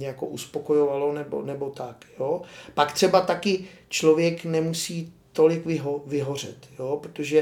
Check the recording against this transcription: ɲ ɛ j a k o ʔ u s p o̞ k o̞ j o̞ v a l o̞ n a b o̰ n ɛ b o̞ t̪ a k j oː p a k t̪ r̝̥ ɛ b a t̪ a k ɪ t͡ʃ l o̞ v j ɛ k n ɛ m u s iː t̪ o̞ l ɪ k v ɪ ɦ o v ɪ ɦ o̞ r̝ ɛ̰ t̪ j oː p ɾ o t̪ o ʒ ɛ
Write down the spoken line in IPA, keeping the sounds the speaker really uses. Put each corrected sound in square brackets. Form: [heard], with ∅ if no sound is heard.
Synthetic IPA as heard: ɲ ɛ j a k o ʔ u s p o̞ k o̞ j o̞ v a l o̞ n [ɛ] b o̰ n ɛ b o̞ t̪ a k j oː p a k t̪ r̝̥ ɛ b a t̪ a k ɪ t͡ʃ l o̞ v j ɛ k n ɛ m u s iː t̪ o̞ l ɪ k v ɪ ɦ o v ɪ ɦ o̞ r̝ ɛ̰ t̪ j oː p ɾ o t̪ o ʒ ɛ